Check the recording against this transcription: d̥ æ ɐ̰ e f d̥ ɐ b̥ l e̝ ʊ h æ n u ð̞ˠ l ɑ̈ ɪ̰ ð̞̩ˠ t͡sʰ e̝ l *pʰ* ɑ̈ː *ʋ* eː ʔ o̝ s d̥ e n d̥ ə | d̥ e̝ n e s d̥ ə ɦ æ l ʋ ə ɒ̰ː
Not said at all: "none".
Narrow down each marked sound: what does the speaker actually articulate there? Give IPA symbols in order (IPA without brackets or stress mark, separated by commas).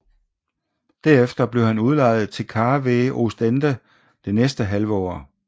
kʰ, ʋ